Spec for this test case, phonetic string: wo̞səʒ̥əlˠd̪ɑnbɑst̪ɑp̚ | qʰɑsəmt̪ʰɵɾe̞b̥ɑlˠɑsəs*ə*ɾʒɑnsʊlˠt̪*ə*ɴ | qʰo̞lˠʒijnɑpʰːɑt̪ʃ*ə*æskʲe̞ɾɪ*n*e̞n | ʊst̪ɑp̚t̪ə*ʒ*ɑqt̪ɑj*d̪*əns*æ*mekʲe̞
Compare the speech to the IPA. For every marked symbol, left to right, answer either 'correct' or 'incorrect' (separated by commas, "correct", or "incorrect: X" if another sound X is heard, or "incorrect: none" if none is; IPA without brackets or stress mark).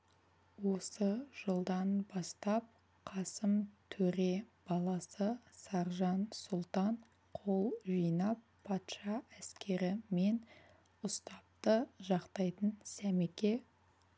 incorrect: ɑ, incorrect: ɑ, incorrect: ɑ, incorrect: m, correct, incorrect: t̪, correct